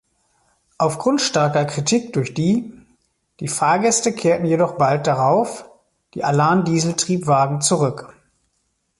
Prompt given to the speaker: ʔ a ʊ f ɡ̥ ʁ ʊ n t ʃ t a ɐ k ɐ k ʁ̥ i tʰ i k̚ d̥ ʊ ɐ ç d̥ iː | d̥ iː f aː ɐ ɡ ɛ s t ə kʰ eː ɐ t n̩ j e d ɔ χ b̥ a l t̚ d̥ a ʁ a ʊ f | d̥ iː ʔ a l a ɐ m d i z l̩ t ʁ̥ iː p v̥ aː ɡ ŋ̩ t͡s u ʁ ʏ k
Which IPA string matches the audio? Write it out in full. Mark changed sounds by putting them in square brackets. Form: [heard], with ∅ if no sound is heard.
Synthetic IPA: ʔ a ʊ f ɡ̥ ʁ ʊ n t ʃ t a ɐ k ɐ k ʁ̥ i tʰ i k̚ d̥ ʊ ɐ ç d̥ iː | d̥ iː f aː ɐ ɡ ɛ s t ə kʰ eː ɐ t n̩ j e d ɔ χ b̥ a l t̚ d̥ a ʁ a ʊ f | d̥ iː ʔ a l a ɐ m d [iː] z l̩ t ʁ̥ iː p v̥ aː ɡ ŋ̩ t͡s u ʁ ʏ k